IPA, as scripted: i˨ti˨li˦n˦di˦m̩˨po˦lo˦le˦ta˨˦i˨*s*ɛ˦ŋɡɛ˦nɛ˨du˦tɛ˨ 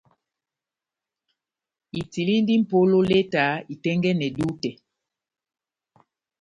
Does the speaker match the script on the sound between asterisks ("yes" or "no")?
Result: no